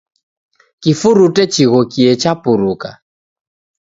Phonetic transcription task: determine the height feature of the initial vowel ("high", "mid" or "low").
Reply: high